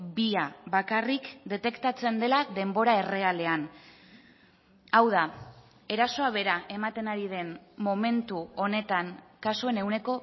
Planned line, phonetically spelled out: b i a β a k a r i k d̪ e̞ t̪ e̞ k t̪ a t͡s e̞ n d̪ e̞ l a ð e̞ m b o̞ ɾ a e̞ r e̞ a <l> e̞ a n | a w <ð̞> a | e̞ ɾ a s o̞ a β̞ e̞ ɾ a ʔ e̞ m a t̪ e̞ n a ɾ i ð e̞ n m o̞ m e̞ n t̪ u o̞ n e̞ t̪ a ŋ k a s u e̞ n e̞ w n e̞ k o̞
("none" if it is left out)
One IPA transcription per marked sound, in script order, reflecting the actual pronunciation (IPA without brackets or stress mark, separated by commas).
l, ð̞